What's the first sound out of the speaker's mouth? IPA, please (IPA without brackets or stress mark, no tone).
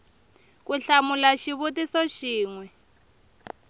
k